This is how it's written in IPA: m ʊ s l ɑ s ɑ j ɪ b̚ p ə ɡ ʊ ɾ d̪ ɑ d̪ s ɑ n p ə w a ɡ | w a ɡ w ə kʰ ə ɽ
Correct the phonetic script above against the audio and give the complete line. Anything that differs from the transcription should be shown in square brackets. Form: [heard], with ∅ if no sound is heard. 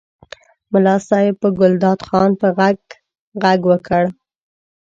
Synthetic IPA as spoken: m ʊ [∅] l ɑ s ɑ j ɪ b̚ p ə ɡ ʊ [l] d̪ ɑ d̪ [x] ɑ n p ə [ɣ] a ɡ | [ɣ] a ɡ w ə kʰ ə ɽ